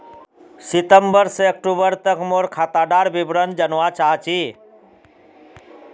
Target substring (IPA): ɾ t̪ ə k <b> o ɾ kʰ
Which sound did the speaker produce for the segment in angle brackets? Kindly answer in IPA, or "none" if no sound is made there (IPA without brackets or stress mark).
m